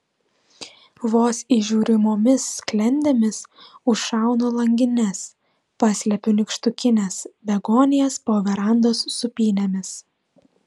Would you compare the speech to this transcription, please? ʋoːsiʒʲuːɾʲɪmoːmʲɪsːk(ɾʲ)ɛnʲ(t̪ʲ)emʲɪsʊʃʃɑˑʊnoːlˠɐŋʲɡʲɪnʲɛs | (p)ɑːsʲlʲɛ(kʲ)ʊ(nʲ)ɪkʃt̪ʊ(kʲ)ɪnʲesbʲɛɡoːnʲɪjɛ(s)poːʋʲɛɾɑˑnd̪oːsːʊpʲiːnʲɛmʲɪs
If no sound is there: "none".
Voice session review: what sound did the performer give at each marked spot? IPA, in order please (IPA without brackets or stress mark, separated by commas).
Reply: lʲ, d̪ʲ, p, pʲ, nʲ, kʲ, s